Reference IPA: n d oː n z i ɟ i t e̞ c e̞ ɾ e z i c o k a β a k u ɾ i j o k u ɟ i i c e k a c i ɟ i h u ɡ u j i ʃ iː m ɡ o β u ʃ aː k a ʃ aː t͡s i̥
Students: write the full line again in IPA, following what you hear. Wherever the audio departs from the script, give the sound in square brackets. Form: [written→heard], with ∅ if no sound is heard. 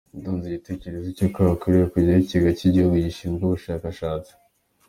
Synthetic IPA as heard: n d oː n z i ɟ i t e̞ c e̞ ɾ e z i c o k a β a k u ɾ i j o k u ɟ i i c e [k→ɡ] a c i ɟ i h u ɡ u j i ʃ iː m ɡ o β u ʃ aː k a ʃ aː t͡s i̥